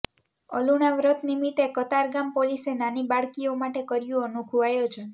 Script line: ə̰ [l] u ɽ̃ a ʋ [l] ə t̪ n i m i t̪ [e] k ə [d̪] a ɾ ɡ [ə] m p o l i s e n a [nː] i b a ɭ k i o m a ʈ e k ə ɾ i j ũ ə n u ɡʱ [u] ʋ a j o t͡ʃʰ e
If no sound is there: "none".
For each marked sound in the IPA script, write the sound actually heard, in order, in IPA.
l, ɾ, e, t̪, a, n, u

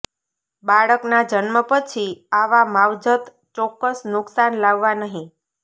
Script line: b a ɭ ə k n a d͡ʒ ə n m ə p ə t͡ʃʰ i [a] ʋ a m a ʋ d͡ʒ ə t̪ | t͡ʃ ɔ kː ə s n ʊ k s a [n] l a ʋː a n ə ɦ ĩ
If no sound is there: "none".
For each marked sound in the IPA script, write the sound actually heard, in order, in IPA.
a, n

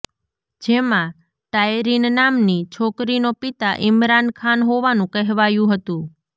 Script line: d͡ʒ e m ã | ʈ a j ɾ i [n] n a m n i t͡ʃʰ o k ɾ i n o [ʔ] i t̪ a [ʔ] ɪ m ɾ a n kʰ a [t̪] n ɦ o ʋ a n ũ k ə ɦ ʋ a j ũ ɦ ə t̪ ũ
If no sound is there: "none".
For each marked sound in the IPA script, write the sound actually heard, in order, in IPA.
n, p, ʔ, none

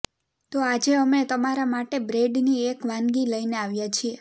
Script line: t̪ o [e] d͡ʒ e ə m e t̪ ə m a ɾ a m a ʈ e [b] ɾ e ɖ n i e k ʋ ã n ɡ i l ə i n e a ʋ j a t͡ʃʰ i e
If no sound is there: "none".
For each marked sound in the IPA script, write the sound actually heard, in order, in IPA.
a, b

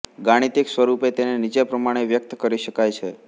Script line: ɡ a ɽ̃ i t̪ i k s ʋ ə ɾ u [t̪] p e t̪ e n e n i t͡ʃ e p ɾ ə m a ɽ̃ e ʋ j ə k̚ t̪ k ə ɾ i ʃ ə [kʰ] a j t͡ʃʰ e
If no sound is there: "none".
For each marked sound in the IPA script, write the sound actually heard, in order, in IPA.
none, k

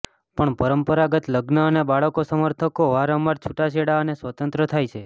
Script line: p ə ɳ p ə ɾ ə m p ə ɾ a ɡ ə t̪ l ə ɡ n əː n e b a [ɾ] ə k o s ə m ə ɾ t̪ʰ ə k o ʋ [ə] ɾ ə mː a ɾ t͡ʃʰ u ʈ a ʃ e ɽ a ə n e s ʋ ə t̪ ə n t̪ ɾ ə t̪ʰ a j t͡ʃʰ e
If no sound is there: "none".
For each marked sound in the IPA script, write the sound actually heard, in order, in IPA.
ɭ, a

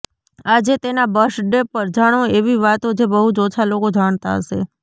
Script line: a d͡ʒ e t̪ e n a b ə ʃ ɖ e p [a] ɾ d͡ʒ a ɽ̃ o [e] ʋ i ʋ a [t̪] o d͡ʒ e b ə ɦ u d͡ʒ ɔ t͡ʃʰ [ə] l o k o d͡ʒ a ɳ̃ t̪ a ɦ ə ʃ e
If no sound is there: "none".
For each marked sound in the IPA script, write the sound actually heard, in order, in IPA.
ə, e, t̪, a

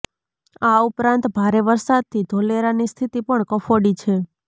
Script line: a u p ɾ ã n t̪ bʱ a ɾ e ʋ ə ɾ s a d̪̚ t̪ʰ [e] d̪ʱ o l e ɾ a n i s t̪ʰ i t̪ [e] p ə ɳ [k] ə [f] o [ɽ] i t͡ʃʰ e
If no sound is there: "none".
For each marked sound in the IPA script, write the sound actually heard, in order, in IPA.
i, i, k, f, ɽ

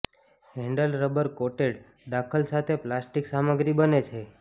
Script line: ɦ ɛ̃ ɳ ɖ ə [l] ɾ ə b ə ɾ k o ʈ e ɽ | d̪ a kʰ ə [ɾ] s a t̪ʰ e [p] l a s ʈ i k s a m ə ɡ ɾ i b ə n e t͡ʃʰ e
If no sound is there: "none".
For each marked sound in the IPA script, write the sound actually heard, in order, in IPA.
l, l, p

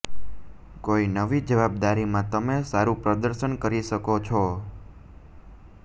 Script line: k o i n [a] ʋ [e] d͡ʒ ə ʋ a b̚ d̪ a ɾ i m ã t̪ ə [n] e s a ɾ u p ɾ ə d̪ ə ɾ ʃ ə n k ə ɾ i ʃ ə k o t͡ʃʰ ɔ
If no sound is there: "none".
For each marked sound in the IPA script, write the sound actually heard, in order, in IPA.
ə, i, m

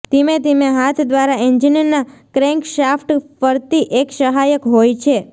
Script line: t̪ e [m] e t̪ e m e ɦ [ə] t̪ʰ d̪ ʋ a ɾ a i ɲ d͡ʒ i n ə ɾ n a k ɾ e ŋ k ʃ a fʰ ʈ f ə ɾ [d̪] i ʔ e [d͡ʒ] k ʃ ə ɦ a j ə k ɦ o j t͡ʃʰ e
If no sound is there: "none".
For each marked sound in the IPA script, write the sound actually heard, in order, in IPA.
m, a, t̪, none

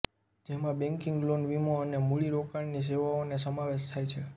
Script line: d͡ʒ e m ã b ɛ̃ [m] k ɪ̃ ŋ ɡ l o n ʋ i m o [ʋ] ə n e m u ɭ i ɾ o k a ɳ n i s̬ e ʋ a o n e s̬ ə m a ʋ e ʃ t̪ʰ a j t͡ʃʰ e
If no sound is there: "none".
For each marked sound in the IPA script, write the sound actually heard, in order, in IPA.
ŋ, none

